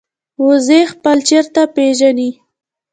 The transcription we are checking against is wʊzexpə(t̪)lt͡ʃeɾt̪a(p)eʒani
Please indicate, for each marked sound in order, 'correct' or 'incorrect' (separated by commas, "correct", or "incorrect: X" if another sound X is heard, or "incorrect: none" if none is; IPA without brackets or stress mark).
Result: incorrect: none, correct